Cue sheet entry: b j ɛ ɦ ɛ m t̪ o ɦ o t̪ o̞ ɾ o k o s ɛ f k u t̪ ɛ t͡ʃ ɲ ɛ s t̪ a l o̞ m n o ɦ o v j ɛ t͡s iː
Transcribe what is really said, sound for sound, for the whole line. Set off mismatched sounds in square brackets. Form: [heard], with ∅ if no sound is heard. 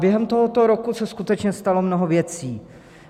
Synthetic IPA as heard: b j ɛ ɦ ɛ m t̪ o ɦ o t̪ o̞ ɾ o k [u] s ɛ [s] k u t̪ ɛ t͡ʃ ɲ ɛ s t̪ a l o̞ m n o ɦ o v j ɛ t͡s iː